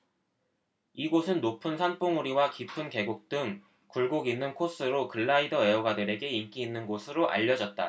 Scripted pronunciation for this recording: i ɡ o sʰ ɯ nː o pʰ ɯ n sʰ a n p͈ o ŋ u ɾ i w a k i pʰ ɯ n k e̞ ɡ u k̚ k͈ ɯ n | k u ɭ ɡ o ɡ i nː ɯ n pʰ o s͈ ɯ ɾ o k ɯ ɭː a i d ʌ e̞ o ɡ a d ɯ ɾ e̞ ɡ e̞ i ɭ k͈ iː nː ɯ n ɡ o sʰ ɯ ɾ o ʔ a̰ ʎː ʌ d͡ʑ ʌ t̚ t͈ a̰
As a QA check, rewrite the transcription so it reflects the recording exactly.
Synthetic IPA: i ɡ o sʰ ɯ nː o pʰ ɯ n sʰ a n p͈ o ŋ u ɾ i w a k i pʰ ɯ n k e̞ ɡ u k̚ t͈ ɯ ŋ | k u ɭ ɡ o ɡ i nː ɯ n kʰ o s͈ ɯ ɾ o k ɯ ɭː a i d ʌ e̞ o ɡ a d ɯ ɾ e̞ ɡ e̞ i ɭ k͈ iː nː ɯ n ɡ o sʰ ɯ ɾ o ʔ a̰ ʎː ʌ d͡ʑ ʌ t̚ t͈ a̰